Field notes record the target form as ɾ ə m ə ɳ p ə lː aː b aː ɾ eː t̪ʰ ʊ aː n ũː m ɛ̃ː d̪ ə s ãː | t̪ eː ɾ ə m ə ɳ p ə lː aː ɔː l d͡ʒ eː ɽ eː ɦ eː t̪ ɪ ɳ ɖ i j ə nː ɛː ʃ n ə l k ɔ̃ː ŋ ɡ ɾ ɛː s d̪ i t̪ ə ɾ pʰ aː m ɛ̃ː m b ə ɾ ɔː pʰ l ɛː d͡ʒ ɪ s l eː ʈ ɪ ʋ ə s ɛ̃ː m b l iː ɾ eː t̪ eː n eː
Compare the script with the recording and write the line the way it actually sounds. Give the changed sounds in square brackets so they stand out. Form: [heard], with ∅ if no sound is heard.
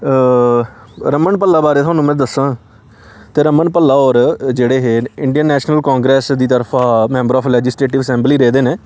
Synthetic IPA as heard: ɾ ə m ə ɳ p ə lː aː b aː ɾ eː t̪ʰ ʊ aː n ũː m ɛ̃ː d̪ ə s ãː | t̪ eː ɾ ə m ə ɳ p ə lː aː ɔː [ɾ] d͡ʒ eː ɽ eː ɦ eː [∅] ɪ ɳ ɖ i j ə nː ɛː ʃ n ə l k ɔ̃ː ŋ ɡ ɾ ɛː s d̪ [iː] t̪ ə ɾ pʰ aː m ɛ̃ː m b ə ɾ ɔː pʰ l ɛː d͡ʒ ɪ s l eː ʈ ɪ ʋ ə s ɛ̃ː m b l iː ɾ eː [d̪] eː n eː